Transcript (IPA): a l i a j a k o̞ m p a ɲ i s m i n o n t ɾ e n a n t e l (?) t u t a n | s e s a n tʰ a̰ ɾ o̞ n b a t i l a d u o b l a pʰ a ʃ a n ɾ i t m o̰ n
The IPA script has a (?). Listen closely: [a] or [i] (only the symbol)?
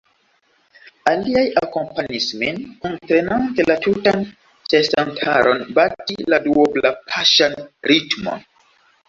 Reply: a